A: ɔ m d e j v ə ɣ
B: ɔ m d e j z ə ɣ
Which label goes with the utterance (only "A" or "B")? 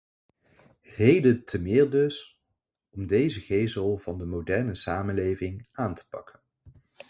B